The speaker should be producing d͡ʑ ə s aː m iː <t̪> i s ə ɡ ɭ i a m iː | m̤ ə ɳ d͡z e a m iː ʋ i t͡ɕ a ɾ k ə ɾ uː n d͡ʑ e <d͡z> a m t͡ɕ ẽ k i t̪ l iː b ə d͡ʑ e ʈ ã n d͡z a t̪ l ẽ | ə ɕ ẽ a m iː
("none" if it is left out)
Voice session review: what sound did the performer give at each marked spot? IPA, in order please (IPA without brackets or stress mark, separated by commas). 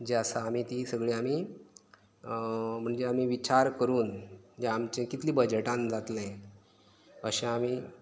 t̪, none